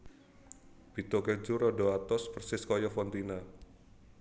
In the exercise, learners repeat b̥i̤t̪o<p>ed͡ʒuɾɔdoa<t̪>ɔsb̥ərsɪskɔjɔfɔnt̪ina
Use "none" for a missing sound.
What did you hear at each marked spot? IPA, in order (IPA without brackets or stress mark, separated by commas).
k, t̪